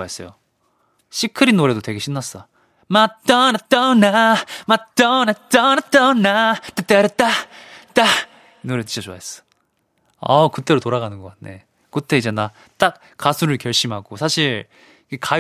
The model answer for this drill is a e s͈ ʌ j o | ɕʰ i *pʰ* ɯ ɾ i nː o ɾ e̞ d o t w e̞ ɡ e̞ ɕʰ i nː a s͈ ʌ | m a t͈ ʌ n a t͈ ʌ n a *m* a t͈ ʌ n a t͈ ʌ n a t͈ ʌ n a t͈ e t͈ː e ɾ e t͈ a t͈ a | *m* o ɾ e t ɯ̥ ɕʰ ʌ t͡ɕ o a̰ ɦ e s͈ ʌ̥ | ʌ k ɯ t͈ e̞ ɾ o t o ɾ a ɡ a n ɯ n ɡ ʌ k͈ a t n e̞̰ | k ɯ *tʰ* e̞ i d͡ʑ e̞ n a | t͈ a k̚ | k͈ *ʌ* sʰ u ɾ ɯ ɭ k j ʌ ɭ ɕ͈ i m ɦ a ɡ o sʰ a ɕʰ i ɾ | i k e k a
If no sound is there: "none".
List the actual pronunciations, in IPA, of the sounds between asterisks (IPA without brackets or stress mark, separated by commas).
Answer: kʰ, m, n, tʰ, a